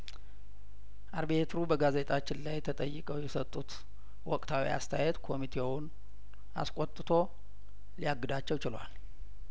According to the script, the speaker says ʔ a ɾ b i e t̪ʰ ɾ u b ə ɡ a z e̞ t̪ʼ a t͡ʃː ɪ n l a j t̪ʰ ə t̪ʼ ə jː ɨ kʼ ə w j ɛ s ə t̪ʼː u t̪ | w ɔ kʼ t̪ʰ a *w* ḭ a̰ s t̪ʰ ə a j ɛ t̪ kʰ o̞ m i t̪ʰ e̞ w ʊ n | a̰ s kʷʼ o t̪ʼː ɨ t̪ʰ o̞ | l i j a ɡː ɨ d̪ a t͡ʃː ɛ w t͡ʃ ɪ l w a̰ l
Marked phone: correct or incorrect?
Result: correct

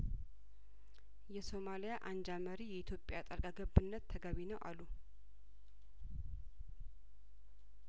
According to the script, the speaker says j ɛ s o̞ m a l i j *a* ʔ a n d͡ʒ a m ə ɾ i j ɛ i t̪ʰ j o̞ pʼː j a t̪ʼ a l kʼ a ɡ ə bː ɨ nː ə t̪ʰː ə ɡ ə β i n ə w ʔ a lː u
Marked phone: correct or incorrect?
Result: correct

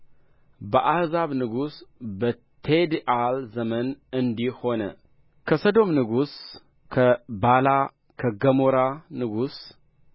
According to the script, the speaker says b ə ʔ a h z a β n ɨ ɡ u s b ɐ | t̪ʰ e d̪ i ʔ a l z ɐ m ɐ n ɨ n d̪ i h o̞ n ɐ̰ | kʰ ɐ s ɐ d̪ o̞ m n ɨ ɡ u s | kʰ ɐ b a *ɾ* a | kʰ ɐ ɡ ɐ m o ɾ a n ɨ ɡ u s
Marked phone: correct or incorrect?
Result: incorrect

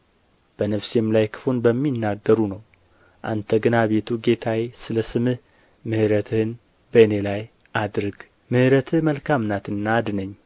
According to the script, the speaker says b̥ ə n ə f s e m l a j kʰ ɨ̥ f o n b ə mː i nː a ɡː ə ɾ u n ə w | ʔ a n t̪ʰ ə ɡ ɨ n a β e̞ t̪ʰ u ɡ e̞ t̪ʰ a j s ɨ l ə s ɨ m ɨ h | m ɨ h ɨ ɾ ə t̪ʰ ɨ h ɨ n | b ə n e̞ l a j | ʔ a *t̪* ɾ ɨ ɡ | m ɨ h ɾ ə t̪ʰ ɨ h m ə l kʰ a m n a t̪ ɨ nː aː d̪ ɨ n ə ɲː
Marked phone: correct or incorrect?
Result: incorrect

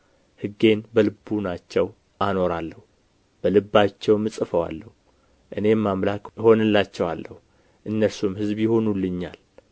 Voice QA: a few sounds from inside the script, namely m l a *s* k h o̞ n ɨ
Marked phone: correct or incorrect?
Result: incorrect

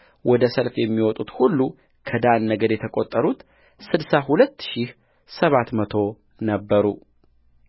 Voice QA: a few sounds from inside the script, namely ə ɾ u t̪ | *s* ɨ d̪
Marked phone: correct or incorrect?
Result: correct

